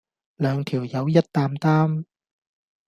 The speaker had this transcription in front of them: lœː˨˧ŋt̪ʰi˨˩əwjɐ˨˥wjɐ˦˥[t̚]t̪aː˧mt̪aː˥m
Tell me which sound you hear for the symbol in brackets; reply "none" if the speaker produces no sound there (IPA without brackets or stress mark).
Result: t̚